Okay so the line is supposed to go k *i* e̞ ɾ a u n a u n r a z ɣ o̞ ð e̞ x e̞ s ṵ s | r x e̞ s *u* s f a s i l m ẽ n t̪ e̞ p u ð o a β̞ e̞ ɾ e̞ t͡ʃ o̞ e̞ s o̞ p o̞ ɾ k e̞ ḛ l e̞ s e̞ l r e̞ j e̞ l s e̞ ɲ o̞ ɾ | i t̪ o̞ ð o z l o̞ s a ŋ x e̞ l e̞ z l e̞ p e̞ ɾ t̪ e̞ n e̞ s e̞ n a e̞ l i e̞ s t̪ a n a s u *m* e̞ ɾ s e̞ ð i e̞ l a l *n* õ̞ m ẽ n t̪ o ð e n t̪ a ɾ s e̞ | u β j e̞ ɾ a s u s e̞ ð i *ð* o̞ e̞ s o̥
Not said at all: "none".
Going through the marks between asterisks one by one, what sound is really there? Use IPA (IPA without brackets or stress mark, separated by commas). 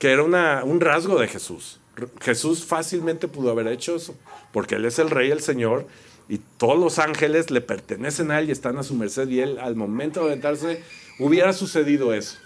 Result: e, u, m, m, ð